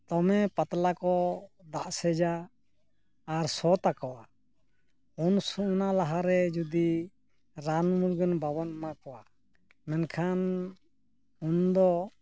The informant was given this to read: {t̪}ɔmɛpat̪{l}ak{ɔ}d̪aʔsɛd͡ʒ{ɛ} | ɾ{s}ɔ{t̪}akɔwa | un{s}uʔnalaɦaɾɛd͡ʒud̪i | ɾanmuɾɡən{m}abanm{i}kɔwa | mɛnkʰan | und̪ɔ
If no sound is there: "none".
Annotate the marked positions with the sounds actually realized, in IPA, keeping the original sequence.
t̪, l, ɔ, a, s, t̪, s, b, a

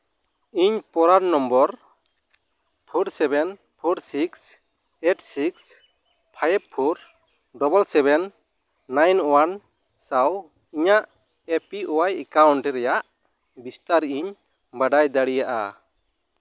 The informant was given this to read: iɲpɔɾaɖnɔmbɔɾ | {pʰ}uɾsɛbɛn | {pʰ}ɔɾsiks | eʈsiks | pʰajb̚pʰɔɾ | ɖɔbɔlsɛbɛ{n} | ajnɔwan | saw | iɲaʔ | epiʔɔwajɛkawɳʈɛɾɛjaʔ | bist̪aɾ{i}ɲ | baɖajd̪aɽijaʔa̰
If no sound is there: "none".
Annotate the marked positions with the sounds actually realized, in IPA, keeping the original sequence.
pʰ, pʰ, nː, i

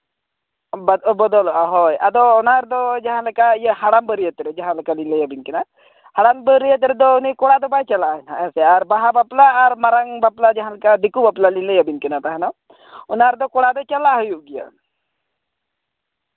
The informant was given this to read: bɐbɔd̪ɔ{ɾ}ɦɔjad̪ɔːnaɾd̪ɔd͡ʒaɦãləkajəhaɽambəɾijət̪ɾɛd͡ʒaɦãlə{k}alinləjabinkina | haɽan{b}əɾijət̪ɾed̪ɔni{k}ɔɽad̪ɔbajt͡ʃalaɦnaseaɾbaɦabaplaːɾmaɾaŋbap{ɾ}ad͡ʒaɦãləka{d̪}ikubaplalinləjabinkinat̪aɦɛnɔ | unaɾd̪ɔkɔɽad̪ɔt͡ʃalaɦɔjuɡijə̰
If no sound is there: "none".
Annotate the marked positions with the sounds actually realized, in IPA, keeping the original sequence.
l, k, b, k, l, d̪

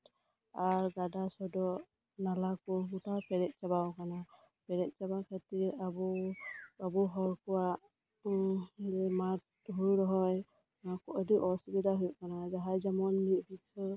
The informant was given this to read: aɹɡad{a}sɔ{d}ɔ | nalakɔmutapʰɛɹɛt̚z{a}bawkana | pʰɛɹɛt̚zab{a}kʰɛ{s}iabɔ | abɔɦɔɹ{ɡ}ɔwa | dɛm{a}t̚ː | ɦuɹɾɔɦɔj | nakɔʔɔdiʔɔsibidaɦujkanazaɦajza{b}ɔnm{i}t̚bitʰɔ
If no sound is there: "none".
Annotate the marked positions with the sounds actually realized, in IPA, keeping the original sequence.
a, d, a, a, t, k, a, m, i

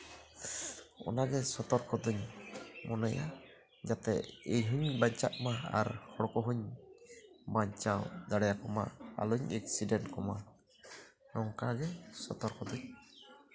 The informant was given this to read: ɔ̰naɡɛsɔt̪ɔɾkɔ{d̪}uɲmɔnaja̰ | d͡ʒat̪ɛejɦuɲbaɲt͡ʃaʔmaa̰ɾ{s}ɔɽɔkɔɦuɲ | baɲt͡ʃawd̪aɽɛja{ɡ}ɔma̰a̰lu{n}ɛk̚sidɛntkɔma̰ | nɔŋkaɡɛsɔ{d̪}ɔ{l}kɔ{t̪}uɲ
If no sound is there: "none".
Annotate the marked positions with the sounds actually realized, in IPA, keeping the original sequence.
d̪, h, k, ɲ, t̪, ɾ, d̪

